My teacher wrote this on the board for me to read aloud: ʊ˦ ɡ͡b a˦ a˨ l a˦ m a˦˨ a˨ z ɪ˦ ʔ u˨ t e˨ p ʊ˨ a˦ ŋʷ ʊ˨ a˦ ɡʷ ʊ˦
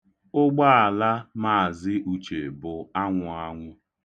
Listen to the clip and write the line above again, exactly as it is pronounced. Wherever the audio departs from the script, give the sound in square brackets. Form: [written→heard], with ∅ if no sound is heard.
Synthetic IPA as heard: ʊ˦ ɡ͡b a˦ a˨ l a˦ m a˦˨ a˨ z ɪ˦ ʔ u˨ [t→t͡ʃ] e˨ [p→b] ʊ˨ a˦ ŋʷ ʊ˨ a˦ [ɡʷ→ŋʷ] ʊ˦